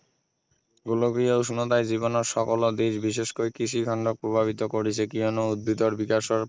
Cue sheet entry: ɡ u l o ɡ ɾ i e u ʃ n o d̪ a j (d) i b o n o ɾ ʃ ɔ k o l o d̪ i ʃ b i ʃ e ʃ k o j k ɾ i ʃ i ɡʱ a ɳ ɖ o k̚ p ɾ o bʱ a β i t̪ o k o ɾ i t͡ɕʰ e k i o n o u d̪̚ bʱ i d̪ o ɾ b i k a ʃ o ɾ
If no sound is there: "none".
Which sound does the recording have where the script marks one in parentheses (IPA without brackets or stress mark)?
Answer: d͡ʑ